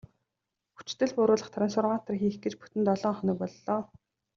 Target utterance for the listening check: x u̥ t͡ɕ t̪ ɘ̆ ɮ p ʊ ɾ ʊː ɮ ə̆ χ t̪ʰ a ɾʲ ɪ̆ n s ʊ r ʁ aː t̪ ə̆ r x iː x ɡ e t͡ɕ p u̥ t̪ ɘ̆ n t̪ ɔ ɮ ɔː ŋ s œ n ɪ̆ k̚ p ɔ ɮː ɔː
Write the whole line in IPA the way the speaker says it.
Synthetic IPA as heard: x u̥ t͡ɕ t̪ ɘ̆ ɮ p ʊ ɾ ʊː ɮ ə̆ χ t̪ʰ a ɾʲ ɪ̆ n s ʊ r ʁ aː t̪ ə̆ r x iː x ɡ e t͡ɕ p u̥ t̪ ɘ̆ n t̪ ɔ ɮ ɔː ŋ χ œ n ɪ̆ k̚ p ɔ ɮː ɔː